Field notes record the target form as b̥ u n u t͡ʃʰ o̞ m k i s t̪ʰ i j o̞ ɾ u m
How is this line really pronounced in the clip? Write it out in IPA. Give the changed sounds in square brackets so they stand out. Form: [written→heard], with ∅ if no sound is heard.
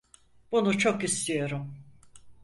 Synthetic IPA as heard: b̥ u n u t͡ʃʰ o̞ [m→∅] k i s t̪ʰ i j o̞ ɾ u m